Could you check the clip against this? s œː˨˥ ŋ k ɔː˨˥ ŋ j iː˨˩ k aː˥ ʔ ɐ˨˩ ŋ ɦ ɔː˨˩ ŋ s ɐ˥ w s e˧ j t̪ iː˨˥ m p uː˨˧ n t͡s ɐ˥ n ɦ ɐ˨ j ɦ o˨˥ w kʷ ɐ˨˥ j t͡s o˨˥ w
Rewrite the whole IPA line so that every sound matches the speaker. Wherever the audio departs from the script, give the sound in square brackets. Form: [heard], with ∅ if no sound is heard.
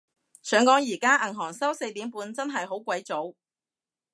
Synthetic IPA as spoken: s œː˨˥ ŋ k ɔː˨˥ ŋ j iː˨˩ k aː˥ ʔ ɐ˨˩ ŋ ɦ ɔː˨˩ ŋ s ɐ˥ w s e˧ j t̪ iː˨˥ m p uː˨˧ n t͡s ɐ˥ n ɦ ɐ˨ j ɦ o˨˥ w kʷ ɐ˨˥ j t͡s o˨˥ w